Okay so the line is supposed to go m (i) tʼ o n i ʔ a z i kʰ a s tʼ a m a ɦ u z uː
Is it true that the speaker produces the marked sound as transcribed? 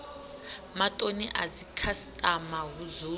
no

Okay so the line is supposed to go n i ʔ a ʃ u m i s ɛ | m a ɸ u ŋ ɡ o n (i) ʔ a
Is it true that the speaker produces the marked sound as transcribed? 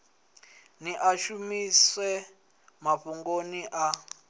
yes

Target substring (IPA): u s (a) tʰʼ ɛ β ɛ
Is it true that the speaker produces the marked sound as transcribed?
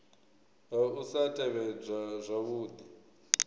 yes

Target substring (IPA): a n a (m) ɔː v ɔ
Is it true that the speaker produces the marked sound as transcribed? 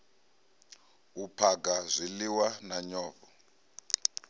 no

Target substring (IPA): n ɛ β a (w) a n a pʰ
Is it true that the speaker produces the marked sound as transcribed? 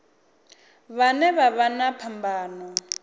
no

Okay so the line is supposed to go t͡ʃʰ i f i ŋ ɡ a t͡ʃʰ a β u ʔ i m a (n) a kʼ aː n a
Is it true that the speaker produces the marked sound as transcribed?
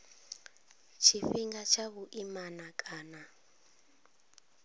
yes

